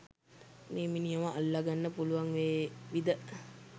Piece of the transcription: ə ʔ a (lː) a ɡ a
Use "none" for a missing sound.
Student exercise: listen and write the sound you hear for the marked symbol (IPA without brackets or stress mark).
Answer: lː